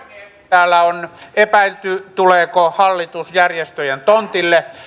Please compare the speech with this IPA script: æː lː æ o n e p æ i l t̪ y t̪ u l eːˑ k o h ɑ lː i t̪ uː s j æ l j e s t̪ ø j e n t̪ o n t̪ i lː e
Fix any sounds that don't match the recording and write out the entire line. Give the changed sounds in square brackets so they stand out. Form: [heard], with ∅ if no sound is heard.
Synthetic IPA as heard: æː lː æ o n e p æ i l t̪ y t̪ u l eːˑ k o h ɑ lː i t̪ [u] s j æ [r] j e s t̪ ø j e n t̪ o n t̪ i lː e